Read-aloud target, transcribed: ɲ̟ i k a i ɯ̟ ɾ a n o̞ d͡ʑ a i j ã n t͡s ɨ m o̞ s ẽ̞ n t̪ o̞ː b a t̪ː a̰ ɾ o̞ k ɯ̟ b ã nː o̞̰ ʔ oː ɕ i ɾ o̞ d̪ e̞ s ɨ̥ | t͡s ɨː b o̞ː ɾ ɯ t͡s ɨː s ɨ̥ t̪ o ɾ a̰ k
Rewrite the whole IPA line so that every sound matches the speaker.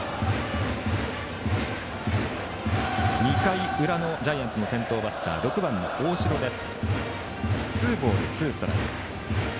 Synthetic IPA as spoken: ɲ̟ i k a i ɯ̟ ɾ a n o̞ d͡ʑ a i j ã n t͡s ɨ n o̞ s ẽ̞ n t̪ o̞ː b a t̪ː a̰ ɾ o̞ k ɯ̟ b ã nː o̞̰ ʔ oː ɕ i ɾ o̞ d̪ e̞ s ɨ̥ | t͡s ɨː b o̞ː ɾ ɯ t͡s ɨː s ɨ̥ t̪ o ɾ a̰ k